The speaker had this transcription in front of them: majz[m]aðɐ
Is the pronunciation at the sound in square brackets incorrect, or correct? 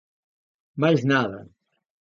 incorrect